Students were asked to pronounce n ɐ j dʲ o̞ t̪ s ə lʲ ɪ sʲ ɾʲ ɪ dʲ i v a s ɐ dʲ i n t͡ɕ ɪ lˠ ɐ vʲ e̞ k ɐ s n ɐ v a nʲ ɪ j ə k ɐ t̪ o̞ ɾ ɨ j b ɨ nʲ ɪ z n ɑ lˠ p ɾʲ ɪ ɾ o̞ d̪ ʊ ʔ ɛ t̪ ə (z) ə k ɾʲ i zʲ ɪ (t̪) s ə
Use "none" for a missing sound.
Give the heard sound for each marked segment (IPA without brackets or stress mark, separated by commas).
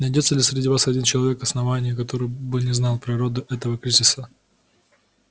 v, none